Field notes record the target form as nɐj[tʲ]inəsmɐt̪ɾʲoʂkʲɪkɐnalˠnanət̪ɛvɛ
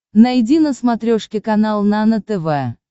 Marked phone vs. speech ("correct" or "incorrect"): incorrect